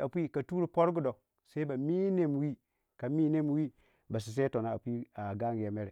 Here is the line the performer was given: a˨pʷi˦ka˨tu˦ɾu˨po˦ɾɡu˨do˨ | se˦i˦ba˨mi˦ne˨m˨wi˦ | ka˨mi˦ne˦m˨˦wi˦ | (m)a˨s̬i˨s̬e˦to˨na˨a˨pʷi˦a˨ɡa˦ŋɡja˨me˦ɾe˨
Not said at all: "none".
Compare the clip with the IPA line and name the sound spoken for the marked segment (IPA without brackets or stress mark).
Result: b